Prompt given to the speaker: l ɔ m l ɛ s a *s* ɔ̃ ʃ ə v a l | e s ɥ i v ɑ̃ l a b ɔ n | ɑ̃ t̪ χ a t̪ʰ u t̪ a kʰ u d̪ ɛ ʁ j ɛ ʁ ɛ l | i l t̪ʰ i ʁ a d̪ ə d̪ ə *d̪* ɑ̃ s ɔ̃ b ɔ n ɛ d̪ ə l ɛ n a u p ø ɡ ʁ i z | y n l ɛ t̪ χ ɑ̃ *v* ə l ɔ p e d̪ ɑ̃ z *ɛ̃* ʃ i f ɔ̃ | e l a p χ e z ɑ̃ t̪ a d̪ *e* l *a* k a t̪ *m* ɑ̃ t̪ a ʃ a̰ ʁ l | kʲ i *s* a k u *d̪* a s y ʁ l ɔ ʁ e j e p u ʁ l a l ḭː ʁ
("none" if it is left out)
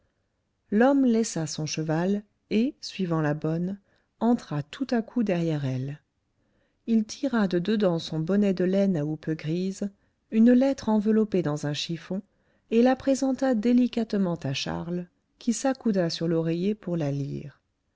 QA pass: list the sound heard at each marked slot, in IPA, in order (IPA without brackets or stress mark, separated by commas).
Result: s, d̪, v, ɛ̃, e, i, m, s, d̪